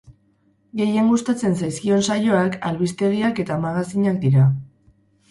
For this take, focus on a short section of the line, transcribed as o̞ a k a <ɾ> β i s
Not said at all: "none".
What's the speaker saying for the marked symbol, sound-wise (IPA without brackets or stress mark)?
l